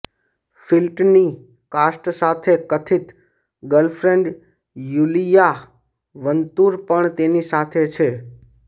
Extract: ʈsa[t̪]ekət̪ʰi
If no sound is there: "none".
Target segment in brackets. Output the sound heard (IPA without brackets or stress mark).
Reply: t̪ʰ